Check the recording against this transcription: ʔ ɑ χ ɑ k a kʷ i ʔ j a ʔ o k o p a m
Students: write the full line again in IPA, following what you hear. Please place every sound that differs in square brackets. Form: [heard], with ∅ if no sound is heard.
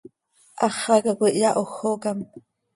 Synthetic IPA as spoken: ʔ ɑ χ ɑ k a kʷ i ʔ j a ʔ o [x] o [k] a m

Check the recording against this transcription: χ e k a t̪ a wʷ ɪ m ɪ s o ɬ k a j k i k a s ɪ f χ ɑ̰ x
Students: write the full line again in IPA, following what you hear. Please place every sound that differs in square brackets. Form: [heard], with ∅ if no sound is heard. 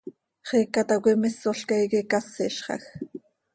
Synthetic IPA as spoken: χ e k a t̪ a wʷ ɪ m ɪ s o ɬ k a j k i k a s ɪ [ʃ] χ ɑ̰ x

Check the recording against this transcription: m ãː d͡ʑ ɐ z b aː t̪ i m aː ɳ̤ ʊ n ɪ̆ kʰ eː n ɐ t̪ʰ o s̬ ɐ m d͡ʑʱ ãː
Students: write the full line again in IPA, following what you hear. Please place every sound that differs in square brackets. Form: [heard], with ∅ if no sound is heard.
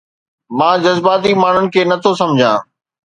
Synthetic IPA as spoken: m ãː d͡ʑ ɐ z b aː t̪ i m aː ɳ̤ ʊ n ɪ̆ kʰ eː n ɐ t̪ʰ o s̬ ɐ m d͡ʑʱ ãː

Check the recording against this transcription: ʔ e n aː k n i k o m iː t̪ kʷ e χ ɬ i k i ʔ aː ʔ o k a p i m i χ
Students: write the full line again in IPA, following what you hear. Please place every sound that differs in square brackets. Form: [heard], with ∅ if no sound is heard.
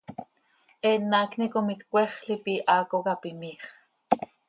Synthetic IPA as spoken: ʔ e n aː k n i k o m [i] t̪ kʷ e χ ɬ i [p] i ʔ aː [k] o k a p i m i χ

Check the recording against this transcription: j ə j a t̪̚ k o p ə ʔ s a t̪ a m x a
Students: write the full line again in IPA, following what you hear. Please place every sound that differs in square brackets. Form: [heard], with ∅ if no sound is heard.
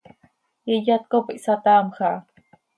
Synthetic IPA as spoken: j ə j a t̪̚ k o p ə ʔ s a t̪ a m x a

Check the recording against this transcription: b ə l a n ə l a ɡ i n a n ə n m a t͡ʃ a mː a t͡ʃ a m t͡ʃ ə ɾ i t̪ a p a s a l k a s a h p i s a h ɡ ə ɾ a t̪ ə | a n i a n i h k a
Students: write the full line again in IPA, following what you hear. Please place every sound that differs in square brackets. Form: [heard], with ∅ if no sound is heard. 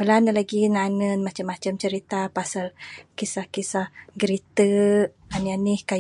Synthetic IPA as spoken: b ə l a n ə l a ɡ i n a n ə n m a t͡ʃ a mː a t͡ʃ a m t͡ʃ ə ɾ i t̪ a p a s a l k [i] s a h [k] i s a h ɡ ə ɾ [i] t̪ ə | a n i a n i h k a

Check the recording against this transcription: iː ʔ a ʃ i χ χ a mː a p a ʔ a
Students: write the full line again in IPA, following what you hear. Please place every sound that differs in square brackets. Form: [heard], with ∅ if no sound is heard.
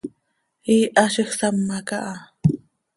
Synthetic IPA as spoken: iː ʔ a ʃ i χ [s] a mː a [k] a ʔ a

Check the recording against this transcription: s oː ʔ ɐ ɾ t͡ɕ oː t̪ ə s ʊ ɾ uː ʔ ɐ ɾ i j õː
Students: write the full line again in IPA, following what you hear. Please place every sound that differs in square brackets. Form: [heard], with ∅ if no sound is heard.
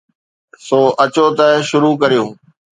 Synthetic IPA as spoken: s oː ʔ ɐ [∅] t͡ɕ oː t̪ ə [ʃ] ʊ ɾ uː [k] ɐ ɾ i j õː

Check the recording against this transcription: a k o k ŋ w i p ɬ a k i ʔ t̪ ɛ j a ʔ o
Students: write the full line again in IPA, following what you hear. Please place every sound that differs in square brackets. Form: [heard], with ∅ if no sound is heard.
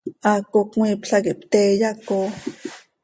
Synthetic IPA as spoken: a k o k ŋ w i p ɬ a k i [p] t̪ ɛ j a [k] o

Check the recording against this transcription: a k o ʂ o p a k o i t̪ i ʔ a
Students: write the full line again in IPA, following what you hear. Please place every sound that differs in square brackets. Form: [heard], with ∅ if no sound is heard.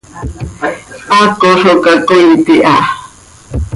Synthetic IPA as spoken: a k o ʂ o [k] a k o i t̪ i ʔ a

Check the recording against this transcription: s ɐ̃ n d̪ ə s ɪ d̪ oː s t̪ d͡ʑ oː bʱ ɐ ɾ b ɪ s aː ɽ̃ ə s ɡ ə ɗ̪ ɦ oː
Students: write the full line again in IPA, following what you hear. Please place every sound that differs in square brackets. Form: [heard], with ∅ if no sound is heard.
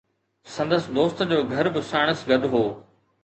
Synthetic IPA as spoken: s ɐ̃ n d̪ ə s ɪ d̪ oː s t̪ d͡ʑ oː [ɡʱ] ɐ ɾ b ɪ s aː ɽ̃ ə s ɡ [ɐ] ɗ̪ ɦ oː

